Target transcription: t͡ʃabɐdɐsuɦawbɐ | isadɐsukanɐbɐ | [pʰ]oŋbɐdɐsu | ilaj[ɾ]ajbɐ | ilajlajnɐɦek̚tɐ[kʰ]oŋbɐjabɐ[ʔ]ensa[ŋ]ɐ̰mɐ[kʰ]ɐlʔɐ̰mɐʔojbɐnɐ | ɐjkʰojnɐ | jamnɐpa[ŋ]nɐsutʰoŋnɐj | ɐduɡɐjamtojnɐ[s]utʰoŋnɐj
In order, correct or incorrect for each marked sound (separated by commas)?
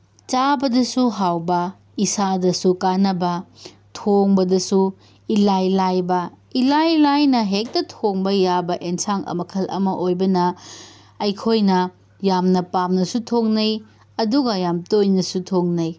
incorrect, incorrect, incorrect, correct, correct, correct, incorrect, correct